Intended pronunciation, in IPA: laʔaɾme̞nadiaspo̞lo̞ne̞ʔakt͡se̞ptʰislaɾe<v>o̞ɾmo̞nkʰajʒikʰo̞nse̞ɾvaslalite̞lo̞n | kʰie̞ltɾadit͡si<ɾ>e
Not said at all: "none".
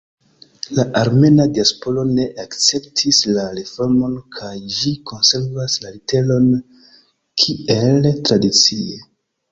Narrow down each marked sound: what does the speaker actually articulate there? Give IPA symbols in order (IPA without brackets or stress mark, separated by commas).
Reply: f, none